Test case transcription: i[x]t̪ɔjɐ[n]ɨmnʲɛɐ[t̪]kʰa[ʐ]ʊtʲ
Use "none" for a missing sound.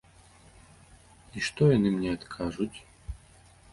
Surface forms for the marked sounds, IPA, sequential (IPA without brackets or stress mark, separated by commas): ʂ, n, t̪, ʐ